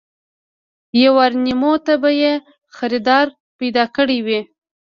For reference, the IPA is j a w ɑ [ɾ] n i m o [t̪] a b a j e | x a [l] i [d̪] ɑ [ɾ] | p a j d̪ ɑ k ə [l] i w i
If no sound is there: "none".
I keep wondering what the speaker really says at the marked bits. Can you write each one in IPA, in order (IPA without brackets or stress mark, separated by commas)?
ɾ, t̪, ɾ, d̪, ɾ, ɽ